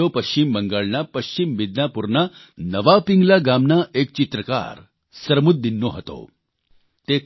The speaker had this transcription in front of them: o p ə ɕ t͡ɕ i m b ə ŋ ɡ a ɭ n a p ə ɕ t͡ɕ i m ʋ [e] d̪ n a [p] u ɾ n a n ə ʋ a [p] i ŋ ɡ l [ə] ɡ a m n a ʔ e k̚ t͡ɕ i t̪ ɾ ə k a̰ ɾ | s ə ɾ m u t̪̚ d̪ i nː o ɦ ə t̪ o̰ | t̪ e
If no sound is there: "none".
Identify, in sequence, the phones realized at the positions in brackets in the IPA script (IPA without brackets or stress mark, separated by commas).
i, p, p, a